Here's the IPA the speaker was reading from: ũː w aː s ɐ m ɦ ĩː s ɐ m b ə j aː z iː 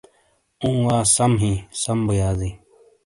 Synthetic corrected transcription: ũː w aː s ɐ m ɦ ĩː s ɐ m b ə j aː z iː